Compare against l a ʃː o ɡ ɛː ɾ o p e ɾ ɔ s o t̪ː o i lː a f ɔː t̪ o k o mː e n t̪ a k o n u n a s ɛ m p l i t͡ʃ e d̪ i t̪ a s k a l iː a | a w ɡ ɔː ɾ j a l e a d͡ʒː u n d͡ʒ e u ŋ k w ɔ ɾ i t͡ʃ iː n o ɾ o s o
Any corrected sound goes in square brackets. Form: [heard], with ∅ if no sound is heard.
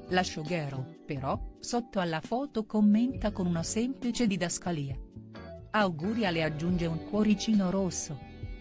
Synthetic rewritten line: l a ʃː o ɡ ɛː ɾ o p e ɾ ɔ s o t̪ː o [a] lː a f ɔː t̪ o k o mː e n t̪ a k o n u n a s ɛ m p l i t͡ʃ e d̪ i [d̪] a s k a l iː a | a w ɡ [uː] ɾ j a l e a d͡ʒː u n d͡ʒ e u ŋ k w ɔ ɾ i t͡ʃ iː n o ɾ o [sː] o